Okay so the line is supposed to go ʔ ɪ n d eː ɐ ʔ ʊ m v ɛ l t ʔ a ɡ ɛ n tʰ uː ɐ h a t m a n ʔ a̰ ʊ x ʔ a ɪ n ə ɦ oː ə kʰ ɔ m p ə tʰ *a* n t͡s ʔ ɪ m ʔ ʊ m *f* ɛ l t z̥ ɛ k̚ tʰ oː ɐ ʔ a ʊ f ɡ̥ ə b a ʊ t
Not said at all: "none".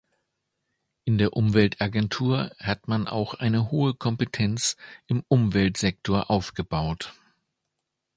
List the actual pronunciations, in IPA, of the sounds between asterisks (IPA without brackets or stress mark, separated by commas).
ɛ, v